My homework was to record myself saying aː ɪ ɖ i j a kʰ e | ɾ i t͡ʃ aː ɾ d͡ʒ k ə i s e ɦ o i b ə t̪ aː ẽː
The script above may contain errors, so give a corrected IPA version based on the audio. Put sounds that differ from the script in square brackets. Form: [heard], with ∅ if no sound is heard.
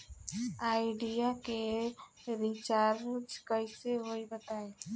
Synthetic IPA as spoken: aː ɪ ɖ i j a [k] e | ɾ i t͡ʃ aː ɾ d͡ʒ k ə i s e ɦ o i b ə t̪ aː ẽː